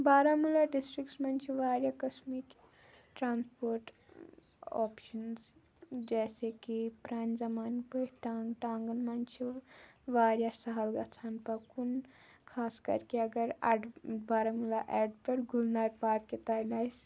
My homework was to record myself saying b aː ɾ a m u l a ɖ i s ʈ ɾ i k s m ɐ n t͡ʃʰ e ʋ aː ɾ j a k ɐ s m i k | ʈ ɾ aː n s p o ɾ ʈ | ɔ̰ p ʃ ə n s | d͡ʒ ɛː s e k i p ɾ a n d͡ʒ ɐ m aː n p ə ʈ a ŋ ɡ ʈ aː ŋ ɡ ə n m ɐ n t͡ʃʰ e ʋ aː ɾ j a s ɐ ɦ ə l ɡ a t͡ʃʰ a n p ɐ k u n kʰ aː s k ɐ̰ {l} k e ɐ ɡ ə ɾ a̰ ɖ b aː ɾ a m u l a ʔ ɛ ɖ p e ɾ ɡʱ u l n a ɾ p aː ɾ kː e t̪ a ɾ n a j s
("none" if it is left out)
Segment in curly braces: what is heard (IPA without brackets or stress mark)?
ɾ